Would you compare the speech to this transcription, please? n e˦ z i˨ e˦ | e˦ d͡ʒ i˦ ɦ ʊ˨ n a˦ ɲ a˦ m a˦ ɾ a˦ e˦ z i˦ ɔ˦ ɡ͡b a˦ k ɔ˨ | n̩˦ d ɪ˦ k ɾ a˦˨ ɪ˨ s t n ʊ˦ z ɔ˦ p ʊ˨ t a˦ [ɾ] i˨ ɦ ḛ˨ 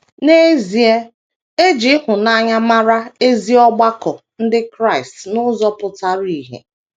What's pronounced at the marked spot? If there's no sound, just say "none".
ɾ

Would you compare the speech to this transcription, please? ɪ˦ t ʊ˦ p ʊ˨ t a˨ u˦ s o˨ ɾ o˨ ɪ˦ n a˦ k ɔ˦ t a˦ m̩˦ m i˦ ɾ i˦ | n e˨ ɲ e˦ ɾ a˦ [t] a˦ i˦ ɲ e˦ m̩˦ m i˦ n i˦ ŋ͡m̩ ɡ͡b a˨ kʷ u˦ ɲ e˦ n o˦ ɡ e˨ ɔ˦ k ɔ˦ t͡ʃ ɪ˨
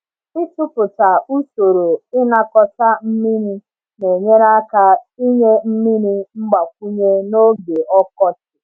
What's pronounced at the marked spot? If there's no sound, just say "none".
k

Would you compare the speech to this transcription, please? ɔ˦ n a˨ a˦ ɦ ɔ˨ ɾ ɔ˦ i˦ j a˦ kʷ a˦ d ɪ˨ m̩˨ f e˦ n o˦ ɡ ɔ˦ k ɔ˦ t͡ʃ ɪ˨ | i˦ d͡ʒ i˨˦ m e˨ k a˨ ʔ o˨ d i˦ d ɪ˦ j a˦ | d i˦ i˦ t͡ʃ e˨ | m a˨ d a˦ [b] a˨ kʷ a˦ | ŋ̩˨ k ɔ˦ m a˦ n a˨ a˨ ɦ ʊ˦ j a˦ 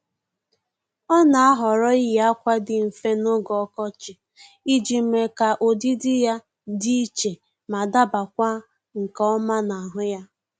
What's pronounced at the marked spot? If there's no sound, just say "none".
b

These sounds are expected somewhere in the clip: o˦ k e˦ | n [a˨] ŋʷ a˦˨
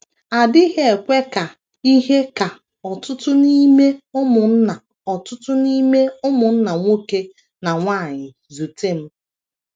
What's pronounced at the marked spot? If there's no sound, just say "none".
a˨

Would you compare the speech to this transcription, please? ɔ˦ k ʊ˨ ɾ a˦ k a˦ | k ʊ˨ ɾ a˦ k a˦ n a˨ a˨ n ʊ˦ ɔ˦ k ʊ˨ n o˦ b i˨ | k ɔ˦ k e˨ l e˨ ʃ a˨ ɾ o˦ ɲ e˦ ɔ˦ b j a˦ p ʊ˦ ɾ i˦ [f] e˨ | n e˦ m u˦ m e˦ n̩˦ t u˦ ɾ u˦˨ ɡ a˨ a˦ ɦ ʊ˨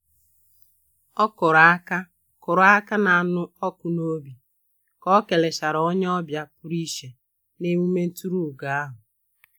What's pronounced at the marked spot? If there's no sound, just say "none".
ʃ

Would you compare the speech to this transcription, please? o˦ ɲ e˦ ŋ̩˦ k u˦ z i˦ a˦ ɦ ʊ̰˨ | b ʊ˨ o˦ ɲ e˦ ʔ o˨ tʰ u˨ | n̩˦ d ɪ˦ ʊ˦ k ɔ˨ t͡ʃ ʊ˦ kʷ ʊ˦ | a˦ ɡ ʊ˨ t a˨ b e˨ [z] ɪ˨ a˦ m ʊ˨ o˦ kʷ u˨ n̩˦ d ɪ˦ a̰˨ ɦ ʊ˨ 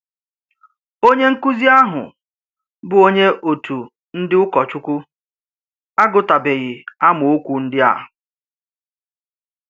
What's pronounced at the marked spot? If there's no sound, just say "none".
ɣ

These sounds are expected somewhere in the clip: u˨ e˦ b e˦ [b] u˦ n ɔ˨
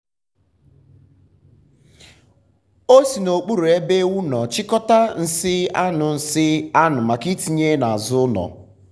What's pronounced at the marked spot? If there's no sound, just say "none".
w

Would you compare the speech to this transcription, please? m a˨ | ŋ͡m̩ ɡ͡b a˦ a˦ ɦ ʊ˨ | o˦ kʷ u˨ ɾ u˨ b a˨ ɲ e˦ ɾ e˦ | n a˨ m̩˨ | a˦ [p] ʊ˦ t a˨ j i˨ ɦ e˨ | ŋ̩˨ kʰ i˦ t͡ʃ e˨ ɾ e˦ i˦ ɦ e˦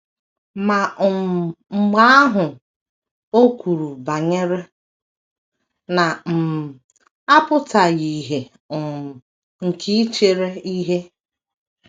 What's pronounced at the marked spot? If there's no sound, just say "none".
p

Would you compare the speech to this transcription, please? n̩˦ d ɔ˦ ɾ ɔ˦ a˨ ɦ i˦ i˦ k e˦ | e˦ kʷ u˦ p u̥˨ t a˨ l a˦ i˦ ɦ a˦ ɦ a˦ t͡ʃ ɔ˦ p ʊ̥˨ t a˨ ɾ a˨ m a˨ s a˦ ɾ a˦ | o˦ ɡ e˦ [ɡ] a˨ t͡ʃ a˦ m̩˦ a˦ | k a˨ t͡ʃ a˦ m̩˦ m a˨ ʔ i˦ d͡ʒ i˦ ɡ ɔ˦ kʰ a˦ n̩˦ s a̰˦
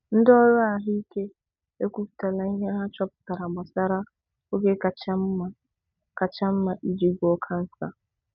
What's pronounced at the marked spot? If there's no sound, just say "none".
k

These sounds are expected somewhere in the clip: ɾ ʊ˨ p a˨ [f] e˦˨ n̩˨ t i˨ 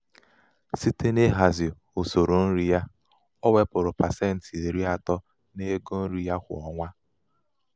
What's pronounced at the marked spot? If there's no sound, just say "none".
s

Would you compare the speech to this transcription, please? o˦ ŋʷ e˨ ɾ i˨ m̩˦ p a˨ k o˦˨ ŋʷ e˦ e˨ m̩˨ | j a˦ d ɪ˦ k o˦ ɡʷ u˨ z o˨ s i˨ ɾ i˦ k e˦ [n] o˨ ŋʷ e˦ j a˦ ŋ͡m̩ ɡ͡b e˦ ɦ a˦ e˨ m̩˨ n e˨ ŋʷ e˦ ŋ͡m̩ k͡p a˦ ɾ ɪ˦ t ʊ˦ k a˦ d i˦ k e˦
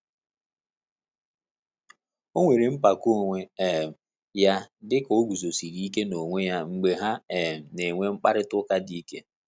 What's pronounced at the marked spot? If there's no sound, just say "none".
n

